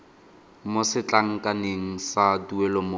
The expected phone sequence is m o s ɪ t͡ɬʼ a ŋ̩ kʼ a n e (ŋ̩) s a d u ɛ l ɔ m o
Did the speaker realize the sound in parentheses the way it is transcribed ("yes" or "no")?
yes